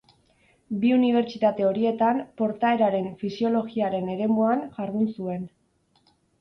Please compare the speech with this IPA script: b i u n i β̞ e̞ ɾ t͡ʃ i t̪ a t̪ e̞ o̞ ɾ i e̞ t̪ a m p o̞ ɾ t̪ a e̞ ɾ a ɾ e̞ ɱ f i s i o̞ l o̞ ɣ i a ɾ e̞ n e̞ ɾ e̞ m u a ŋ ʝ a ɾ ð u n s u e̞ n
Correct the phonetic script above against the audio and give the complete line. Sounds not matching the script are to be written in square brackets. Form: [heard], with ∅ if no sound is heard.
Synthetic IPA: b i u n i β̞ e̞ ɾ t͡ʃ i t̪ a t̪ e̞ o̞ ɾ i e̞ t̪ a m p o̞ ɾ t̪ a e̞ ɾ a ɾ e̞ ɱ f i s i o̞ l o̞ ɣ i a ɾ e̞ n e̞ ɾ e̞ m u a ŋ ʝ a ɾ ð u n s u e̞ n